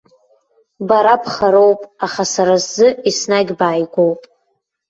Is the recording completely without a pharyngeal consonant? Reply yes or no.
yes